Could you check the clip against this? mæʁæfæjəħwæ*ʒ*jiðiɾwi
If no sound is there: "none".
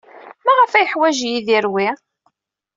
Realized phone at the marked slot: ʒ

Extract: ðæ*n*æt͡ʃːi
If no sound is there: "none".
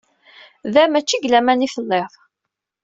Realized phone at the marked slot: m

